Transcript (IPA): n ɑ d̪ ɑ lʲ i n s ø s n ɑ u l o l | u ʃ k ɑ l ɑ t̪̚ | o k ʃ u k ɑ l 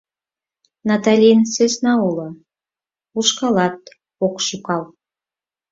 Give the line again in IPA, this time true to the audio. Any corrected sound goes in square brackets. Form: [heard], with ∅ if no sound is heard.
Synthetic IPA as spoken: n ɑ [t̪] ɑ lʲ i n s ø s n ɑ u l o [∅] | u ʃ k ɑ l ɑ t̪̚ | o k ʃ u k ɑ l